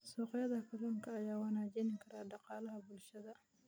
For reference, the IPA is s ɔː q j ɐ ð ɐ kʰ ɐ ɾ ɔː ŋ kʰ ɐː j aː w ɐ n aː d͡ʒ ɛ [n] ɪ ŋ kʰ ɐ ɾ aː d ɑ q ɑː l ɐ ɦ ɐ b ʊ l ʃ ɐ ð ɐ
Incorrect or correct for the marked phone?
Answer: correct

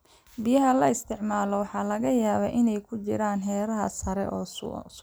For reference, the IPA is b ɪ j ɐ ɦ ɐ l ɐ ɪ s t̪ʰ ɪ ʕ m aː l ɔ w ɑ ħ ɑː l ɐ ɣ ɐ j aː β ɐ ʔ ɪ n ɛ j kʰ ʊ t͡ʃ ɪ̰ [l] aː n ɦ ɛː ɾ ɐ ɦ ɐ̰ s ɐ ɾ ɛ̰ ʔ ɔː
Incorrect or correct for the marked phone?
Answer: incorrect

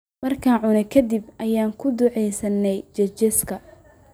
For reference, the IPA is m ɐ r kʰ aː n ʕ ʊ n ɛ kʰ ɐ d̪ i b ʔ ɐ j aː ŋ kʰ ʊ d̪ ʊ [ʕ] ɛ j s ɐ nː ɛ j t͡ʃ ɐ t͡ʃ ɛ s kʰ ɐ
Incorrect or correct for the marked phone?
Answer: correct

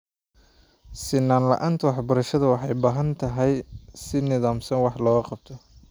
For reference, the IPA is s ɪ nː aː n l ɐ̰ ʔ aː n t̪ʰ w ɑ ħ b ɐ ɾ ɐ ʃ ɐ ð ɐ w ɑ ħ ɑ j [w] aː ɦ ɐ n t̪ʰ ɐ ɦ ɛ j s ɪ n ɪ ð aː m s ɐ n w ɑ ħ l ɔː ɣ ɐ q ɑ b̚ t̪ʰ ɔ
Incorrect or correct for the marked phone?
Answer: incorrect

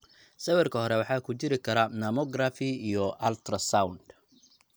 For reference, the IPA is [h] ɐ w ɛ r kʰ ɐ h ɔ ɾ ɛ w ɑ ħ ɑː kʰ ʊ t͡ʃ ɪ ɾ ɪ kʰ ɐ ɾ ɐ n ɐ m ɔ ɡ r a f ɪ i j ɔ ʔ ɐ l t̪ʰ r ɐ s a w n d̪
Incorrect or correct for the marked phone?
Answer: incorrect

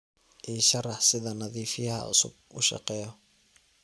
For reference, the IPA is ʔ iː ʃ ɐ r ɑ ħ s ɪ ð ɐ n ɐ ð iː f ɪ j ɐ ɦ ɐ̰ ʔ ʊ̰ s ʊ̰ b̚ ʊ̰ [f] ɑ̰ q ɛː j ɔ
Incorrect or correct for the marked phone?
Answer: incorrect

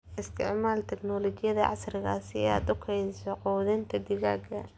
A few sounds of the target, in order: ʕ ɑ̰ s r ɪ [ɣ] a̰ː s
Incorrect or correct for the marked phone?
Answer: correct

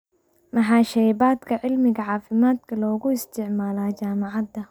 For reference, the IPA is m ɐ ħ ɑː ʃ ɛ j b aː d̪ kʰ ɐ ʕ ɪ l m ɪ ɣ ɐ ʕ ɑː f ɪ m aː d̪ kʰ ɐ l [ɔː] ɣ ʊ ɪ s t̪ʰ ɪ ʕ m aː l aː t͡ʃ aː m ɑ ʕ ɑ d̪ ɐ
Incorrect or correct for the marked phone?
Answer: correct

